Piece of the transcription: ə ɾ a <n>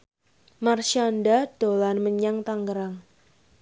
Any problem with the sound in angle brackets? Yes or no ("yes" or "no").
yes